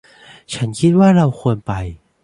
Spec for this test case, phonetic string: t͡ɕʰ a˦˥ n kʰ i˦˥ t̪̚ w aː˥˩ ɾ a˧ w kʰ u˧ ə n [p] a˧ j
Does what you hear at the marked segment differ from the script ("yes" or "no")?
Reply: no